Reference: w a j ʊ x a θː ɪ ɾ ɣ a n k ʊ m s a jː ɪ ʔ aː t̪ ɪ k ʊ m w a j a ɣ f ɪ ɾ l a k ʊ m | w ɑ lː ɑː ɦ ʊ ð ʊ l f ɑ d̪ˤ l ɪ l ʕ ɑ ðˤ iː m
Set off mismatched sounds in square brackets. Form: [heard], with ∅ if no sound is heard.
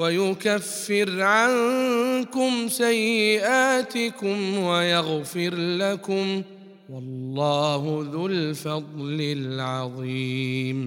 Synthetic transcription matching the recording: w a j ʊ [k] a [fː] ɪ ɾ [ʕ] a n k ʊ m s a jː ɪ ʔ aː t̪ ɪ k ʊ m w a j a ɣ f ɪ ɾ l a k ʊ m | w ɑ lː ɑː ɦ ʊ ð ʊ l f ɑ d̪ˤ l ɪ l ʕ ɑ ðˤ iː m